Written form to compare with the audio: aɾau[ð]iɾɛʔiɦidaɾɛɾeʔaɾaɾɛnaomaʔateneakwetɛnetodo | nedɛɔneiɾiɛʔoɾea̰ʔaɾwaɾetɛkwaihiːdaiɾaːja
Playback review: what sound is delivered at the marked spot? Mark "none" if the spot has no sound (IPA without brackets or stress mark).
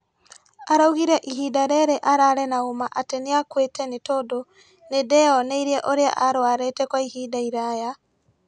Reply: ɣ